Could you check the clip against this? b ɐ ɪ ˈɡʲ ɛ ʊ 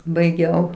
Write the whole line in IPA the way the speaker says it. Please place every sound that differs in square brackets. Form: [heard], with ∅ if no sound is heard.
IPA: b ɐ ɪ ˈɡʲ ɛ ʊ